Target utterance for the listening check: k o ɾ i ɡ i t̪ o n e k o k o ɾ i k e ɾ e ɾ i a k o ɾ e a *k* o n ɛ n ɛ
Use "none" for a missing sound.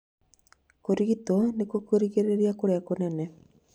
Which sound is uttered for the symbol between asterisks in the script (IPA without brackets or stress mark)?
k